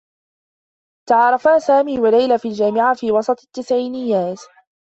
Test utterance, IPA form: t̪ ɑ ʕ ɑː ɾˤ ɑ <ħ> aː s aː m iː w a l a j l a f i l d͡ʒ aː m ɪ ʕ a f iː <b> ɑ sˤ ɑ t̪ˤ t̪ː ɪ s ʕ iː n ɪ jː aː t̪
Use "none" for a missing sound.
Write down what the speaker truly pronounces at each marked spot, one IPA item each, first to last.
f, w

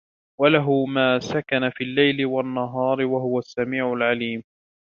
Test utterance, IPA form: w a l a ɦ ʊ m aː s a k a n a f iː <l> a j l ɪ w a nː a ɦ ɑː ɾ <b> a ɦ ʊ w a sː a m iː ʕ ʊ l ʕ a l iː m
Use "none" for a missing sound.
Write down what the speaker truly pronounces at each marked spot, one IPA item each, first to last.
lː, w

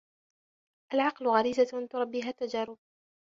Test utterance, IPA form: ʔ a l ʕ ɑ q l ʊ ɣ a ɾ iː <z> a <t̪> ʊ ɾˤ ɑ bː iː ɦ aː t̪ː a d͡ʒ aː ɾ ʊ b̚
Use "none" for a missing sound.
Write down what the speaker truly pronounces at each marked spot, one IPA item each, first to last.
z, t̪

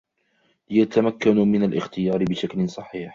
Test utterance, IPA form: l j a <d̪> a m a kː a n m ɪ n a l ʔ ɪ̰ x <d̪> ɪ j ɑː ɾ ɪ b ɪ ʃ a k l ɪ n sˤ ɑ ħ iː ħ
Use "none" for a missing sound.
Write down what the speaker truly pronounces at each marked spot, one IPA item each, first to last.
t̪, t̪

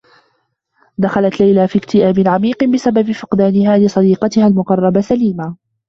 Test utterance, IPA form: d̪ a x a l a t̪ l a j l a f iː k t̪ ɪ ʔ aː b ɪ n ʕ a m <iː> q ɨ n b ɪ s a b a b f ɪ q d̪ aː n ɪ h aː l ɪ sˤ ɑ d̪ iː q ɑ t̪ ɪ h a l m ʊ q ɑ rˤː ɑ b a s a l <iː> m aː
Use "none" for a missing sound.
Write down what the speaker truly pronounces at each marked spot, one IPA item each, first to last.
iː, iː

